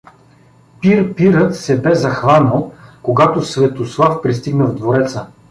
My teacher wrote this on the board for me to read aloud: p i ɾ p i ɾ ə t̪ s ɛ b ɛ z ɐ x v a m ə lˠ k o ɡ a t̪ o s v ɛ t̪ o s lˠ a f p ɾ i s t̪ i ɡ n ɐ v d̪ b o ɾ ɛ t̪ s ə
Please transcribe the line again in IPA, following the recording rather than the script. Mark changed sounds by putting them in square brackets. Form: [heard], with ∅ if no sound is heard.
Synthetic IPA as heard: p i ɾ p i ɾ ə t̪ s ɛ b ɛ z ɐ x v a [n] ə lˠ k o ɡ a t̪ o s v ɛ t̪ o s lˠ a f p ɾ i s t̪ i ɡ n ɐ v d̪ [v] o ɾ ɛ t̪ s ə